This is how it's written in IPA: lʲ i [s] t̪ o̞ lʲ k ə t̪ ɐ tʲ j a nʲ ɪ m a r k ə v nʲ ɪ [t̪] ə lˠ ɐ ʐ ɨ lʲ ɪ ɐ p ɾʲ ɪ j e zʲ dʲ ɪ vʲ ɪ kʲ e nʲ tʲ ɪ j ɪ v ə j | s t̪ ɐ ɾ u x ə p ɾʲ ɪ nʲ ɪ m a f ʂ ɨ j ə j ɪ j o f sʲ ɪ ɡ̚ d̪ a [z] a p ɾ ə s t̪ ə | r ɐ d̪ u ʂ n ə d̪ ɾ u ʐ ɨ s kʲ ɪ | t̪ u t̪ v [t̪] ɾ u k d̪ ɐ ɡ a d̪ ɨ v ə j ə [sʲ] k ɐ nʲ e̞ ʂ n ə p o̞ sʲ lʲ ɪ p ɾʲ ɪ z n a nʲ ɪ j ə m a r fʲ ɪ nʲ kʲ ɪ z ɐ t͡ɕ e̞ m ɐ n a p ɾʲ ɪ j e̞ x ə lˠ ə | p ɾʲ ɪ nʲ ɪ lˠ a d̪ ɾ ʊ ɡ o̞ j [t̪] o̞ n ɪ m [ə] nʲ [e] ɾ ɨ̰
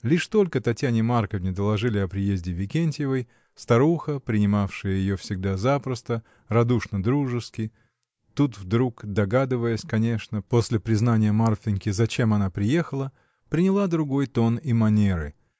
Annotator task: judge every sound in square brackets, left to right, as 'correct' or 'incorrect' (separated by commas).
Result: incorrect, incorrect, correct, incorrect, correct, correct, incorrect, correct